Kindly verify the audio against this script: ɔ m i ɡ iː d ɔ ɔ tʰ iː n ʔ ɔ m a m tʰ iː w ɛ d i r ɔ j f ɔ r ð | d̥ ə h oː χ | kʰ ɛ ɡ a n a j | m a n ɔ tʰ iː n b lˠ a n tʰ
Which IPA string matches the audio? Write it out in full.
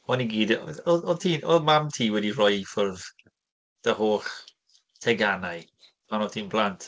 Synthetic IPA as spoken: ɔ n i ɡ iː d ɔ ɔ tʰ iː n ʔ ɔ m a m tʰ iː w ɛ d i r ɔ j f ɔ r ð | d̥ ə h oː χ | tʰ ɛ ɡ a n a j | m a n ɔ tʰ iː n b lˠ a n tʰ

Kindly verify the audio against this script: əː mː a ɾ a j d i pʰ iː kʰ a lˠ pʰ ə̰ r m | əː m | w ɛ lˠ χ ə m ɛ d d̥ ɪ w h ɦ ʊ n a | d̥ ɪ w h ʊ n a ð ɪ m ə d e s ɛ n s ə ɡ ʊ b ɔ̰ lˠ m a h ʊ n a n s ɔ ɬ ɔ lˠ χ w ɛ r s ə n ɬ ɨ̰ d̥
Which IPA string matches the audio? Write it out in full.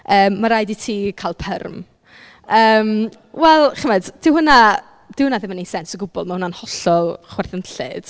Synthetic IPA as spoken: əː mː a ɾ a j d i tʰ iː kʰ a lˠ pʰ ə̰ r m | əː m | w ɛ lˠ χ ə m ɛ d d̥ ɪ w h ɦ ʊ n a | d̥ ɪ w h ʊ n a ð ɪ m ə n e s ɛ n s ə ɡ ʊ b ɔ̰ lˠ m a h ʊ n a n h ɔ ɬ ɔ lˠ χ w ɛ r θ ə n ɬ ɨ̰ d̥

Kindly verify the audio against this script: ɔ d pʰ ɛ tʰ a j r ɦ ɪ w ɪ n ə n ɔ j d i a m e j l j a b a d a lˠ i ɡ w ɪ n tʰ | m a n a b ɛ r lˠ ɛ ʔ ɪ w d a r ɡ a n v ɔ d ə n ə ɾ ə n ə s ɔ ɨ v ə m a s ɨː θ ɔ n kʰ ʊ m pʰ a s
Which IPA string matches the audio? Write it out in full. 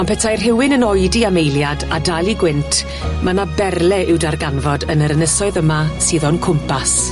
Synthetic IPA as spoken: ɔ n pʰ ɛ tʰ a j r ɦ ɪ w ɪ n ə n ɔ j d i a m e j l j a d a d a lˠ i ɡ w ɪ n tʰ | m a n a b ɛ r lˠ ɛ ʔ ɪ w d a r ɡ a n v ɔ d ə n ə ɾ ə n ə s ɔ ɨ ð ə m a s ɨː ð ɔ n kʰ ʊ m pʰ a s

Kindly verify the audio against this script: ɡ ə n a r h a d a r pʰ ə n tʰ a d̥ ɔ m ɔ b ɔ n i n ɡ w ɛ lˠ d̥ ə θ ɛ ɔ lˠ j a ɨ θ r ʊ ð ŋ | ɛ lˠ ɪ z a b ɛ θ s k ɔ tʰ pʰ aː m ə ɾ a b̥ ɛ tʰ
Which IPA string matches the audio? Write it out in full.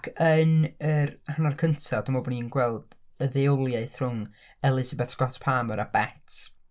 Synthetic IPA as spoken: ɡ ə n ə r h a n a r kʰ ə n tʰ a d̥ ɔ m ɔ b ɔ n i n ɡ w ɛ lˠ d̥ ə ð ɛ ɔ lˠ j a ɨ θ r ʊ ŋ | ɛ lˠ ɪ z a b ɛ θ s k ɔ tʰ pʰ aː m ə ɾ a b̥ ɛ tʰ

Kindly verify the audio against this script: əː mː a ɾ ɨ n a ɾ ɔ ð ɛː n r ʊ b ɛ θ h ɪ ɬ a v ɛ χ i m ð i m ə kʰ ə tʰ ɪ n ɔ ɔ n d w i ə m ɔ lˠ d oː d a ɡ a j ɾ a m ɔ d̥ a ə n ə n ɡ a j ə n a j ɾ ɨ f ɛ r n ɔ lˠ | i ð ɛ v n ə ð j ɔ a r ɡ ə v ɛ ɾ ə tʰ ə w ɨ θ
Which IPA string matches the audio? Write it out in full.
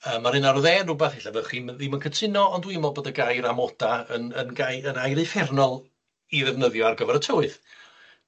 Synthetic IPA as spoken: əː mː a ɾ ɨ n a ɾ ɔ ð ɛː n r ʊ b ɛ θ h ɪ ɬ a v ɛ χ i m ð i m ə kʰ ə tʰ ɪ n ɔ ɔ n d w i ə m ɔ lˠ b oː d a ɡ a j ɾ a m ɔ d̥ a ə n ə n ɡ a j ə n a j ɾ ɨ f ɛ r n ɔ lˠ | i ð ɛ v n ə ð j ɔ a r ɡ ə v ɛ ɾ ə tʰ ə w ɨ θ

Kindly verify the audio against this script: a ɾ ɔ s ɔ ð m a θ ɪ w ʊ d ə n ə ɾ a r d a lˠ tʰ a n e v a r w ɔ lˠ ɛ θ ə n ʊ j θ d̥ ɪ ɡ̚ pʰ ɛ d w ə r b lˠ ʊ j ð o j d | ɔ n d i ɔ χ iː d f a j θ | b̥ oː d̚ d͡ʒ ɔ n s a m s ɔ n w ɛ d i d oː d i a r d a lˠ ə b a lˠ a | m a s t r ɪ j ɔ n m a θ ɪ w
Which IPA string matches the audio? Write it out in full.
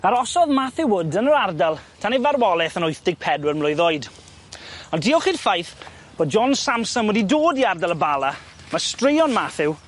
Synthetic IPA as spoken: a ɾ ɔ s ɔ ð m a θ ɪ w ʊ d ə n ə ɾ a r d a lˠ tʰ a n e v a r w ɔ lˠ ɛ θ ə n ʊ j θ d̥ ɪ ɡ̚ pʰ ɛ d w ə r m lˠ ʊ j ð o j d | ɔ n d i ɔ χ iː d f a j θ | b̥ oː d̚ d͡ʒ ɔ n s a m s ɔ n w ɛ d i d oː d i a r d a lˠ ə b a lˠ a | m a s t r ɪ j ɔ n m a θ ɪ w

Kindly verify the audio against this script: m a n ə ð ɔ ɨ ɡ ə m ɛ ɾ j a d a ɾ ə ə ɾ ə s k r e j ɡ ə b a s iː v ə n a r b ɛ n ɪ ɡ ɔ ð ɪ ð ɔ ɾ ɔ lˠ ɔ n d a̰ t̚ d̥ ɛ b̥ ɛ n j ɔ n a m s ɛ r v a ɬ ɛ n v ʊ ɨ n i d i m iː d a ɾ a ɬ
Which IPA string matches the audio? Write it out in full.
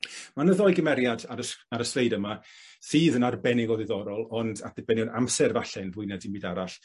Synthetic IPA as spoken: m a n ə ð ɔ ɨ ɡ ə m ɛ ɾ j a d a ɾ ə a ɾ ə s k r e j d ə m a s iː ð ə n a r b ɛ n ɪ ɡ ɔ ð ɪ ð ɔ ɾ ɔ lˠ ɔ n d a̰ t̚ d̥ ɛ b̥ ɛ n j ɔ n a m s ɛ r v a ɬ ɛ n v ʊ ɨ n ɛ d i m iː d a ɾ a ɬ

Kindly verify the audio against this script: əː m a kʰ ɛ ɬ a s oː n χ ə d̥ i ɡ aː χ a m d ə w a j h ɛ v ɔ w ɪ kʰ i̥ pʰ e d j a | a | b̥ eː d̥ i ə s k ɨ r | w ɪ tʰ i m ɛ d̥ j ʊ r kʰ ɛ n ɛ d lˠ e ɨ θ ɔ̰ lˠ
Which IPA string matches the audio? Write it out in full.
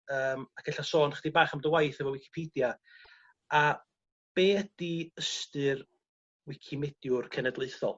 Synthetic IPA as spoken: əː m a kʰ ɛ ɬ a s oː n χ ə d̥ i b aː χ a m d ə w a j θ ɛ v ɔ w ɪ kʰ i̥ pʰ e d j a | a | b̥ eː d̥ i ə s t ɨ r | w ɪ kʰ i m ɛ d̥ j ʊ r kʰ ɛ n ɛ d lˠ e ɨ θ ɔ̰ lˠ

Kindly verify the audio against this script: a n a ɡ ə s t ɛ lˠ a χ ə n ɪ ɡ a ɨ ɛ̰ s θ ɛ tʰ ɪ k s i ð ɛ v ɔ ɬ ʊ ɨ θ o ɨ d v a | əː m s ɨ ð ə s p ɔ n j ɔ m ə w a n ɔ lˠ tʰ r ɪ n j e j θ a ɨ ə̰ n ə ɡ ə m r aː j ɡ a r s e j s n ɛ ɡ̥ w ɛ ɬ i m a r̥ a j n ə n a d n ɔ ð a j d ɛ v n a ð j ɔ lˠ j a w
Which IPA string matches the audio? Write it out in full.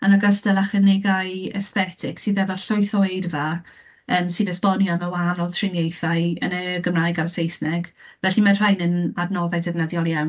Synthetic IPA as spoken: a n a ɡ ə s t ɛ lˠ a χ ə n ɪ ɡ a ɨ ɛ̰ s θ ɛ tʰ ɪ k s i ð ɛ v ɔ ɬ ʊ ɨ θ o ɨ d v a | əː m s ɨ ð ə s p ɔ n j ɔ m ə w a n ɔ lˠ tʰ r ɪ n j e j θ a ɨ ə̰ n ə ɡ ə m r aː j ɡ a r s e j s n ɛ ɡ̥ v ɛ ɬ i m a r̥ a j n ə n a d n ɔ ð a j d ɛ v n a ð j ɔ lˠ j a w

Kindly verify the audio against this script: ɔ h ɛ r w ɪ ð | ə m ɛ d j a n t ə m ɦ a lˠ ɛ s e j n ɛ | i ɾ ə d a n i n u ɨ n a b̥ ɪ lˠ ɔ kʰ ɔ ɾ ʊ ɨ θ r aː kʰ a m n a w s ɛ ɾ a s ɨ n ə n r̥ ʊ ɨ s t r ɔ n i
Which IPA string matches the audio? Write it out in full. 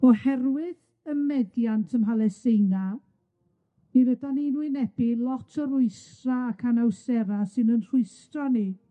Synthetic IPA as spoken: ɔ h ɛ r w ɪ ð | ə m ɛ d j a n tʰ ə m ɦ a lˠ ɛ s e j n a | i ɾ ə d a n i n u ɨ n ɛ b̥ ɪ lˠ ɔ tʰ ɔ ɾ ʊ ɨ s r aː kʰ a n a w s ɛ ɾ a s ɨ n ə n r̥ ʊ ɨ s t r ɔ n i

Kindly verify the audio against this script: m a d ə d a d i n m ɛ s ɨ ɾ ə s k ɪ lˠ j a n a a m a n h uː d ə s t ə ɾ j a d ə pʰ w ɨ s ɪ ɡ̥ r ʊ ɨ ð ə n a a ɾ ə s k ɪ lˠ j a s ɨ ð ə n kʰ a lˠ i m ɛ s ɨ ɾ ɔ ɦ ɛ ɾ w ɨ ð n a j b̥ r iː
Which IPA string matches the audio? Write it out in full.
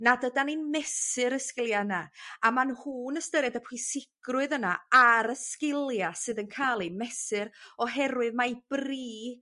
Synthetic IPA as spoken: n a d ə d a n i n m ɛ s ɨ ɾ ə s k ɪ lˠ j a n a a m a n h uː n ə s t ə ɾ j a d ə pʰ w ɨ s ɪ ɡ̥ r ʊ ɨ ð ə n a a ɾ ə s k ɪ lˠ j a s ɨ ð ə n kʰ a lˠ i m ɛ s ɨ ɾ ɔ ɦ ɛ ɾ w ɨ ð m a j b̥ r iː

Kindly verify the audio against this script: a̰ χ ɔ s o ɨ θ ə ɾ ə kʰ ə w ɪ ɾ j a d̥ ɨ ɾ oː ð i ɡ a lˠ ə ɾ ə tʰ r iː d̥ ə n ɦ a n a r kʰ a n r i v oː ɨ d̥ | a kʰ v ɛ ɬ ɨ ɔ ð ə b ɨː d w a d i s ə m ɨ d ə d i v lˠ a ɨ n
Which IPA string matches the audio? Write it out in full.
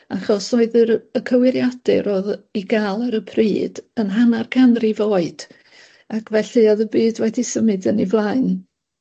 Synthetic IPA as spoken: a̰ χ ɔ s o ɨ ð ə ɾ ə kʰ ə w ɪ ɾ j a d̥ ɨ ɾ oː ð i ɡ a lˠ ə ɾ ə pʰ r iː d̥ ə n ɦ a n a r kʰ a n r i v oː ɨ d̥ | a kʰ v ɛ ɬ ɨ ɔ ð ə b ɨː d w ɛ d i s ə m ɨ d ə n i v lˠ a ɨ n

